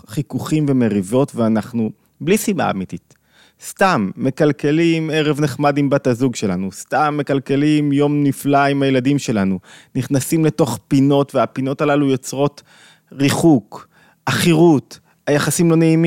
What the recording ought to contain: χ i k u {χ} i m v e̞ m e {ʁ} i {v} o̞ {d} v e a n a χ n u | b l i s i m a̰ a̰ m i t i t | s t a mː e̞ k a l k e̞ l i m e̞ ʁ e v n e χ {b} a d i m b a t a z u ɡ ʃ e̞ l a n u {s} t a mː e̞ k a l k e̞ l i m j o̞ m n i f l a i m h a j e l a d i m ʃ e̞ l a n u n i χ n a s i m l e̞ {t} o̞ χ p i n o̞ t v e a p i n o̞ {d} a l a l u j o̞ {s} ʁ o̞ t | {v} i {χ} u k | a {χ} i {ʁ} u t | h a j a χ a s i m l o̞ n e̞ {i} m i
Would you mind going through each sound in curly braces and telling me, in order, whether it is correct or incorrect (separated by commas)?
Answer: correct, correct, correct, incorrect, incorrect, correct, correct, incorrect, incorrect, incorrect, correct, correct, correct, correct